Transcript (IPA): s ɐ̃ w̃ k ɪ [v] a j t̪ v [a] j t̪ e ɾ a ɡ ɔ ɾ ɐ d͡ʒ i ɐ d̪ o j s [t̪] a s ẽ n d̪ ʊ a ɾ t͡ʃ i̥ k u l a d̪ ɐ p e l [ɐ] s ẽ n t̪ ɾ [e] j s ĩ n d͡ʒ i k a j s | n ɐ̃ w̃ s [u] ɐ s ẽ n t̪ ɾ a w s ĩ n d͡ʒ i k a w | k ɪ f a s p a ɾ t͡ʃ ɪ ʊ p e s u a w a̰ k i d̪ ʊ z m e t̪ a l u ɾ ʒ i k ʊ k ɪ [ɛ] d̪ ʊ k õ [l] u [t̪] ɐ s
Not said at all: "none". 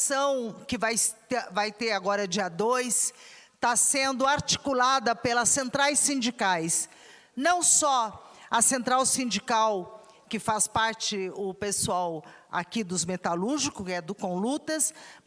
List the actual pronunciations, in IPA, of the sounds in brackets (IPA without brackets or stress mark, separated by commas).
v, a, t̪, ɐ, a, ɔ, ɛ, l, t̪